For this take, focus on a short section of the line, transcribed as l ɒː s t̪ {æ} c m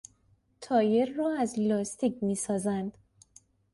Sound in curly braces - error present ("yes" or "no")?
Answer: yes